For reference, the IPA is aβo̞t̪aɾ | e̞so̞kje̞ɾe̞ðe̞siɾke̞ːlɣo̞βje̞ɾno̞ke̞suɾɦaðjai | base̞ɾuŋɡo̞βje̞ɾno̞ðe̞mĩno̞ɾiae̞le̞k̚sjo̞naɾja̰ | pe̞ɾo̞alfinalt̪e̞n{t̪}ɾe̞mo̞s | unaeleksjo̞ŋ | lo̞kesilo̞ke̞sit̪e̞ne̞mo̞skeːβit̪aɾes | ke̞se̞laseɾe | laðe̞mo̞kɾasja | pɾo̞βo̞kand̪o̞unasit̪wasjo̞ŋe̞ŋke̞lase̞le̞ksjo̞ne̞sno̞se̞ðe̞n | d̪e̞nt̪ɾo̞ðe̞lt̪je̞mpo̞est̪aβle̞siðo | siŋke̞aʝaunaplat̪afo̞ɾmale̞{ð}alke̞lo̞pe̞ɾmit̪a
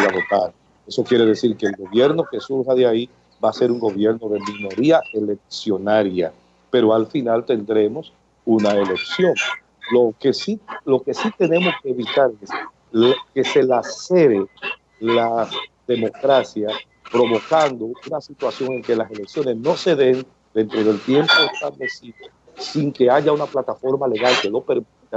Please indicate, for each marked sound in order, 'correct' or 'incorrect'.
incorrect: d̪, incorrect: ɣ

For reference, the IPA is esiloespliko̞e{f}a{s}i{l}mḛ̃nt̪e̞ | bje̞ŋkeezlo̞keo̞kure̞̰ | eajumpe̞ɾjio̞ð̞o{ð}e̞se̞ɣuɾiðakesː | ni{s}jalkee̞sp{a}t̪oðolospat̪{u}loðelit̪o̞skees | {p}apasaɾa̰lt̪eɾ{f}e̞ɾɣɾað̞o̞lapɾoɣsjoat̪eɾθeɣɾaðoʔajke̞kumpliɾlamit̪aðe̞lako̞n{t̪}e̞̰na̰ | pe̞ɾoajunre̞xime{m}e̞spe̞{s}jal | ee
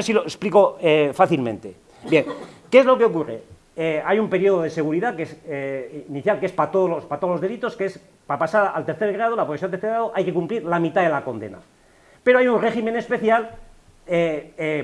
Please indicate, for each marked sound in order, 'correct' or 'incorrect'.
correct, incorrect: θ, correct, correct, incorrect: θ, correct, incorrect: o, correct, incorrect: θ, incorrect: d̪, incorrect: n, incorrect: θ

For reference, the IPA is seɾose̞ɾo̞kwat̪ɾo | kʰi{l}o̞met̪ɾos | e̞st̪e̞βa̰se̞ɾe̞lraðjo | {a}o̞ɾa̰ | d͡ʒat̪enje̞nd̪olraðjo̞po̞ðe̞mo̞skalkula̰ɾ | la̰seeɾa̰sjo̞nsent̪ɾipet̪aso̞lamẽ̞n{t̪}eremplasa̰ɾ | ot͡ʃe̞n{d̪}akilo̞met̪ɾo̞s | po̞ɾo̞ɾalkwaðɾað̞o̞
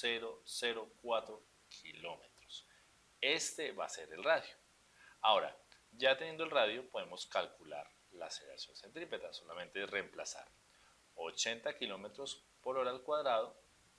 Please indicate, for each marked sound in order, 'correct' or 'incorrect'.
correct, correct, correct, incorrect: t̪

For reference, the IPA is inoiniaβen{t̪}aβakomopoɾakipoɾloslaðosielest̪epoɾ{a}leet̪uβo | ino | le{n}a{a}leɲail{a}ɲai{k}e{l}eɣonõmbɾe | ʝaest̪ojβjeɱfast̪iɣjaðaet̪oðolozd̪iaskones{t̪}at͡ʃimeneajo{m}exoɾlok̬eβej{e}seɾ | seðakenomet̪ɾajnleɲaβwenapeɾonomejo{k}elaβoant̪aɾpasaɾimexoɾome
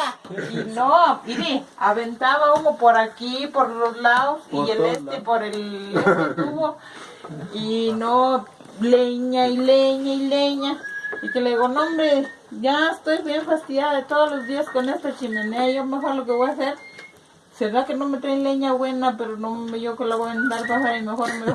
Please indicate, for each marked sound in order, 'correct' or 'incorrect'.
correct, incorrect: e, incorrect: ɲ, incorrect: i, incorrect: e, correct, correct, correct, correct, incorrect: a, correct

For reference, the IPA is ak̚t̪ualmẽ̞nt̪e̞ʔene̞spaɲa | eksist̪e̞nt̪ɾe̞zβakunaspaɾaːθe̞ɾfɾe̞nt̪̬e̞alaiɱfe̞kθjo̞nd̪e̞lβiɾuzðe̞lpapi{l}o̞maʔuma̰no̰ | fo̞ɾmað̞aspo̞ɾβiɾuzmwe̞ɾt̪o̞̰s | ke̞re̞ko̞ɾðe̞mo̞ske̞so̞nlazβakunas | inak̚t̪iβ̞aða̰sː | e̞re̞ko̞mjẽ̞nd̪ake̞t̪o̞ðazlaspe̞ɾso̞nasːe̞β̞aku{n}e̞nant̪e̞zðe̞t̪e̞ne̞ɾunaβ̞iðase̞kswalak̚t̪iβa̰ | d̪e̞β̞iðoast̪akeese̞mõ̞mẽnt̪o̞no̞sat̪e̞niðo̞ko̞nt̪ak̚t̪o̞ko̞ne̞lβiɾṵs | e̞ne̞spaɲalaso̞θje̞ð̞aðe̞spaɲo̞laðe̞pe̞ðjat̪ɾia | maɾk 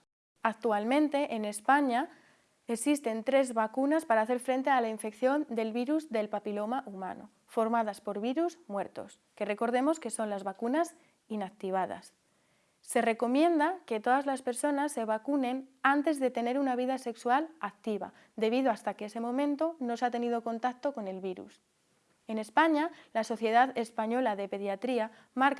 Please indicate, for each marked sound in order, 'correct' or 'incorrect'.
correct, correct

